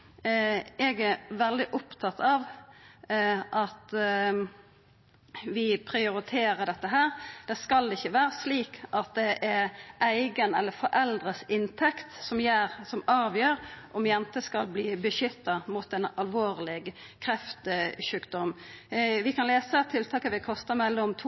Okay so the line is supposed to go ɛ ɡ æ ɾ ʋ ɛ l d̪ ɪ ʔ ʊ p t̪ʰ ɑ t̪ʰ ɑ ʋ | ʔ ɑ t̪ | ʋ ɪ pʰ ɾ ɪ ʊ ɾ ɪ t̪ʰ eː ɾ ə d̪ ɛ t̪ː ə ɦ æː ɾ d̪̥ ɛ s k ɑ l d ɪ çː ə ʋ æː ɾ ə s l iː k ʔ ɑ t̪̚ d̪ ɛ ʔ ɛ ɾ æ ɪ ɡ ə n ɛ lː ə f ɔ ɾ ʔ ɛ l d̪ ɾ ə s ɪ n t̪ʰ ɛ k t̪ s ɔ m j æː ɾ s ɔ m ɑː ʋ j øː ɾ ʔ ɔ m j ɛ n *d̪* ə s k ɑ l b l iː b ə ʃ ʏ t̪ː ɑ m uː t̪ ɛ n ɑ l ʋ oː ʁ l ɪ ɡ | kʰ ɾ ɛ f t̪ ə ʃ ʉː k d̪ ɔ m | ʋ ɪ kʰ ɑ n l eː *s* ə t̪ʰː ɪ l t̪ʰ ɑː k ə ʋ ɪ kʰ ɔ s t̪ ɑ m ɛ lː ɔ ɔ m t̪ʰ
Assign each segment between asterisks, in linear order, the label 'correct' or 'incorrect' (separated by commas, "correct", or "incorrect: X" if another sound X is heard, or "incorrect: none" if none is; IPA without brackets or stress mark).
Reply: incorrect: t̪, correct